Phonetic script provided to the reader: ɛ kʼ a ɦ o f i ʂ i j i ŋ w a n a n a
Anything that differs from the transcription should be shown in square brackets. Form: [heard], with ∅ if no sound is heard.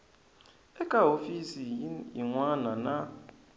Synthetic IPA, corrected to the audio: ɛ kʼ a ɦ o f i [s] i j i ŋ w a n a n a